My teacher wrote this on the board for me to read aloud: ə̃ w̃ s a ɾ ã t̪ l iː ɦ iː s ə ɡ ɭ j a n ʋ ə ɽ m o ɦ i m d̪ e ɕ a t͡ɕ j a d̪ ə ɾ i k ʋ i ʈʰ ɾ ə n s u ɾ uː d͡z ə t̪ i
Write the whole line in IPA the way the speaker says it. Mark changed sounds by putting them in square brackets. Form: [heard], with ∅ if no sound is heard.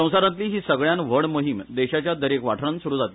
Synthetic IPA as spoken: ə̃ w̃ s a ɾ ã t̪ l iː ɦ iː s ə ɡ ɭ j a n ʋ ə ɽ m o ɦ i m d̪ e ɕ a t͡ɕ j a d̪ ə ɾ [e] k ʋ [a] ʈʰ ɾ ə n s u ɾ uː d͡z [a] t̪ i